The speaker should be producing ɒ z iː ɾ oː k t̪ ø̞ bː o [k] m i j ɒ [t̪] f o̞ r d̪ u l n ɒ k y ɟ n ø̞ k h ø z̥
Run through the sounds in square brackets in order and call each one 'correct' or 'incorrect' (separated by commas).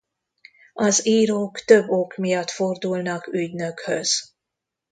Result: correct, correct